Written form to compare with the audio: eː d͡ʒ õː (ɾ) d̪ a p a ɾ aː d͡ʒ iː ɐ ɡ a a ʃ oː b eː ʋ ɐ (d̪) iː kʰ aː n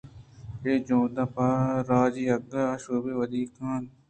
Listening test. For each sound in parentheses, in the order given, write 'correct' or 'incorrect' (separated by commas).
incorrect, correct